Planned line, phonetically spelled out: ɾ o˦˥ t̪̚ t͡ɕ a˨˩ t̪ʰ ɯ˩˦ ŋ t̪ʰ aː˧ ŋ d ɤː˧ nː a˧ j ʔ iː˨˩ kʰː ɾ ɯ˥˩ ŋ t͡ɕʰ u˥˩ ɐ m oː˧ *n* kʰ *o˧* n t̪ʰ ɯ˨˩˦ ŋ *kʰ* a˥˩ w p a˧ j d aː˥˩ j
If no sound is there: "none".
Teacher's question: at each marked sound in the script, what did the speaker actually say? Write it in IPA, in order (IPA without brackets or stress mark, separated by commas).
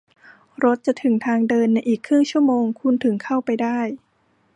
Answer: ŋ, u˧, kʰ